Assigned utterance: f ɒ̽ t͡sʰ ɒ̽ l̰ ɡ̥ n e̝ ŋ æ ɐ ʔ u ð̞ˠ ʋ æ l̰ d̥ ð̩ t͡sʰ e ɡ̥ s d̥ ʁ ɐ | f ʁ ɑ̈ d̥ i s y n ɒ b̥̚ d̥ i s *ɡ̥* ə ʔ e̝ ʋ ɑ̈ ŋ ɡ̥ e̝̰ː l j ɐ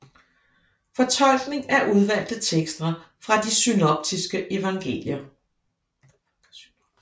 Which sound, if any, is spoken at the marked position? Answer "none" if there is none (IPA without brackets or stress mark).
ɡ̥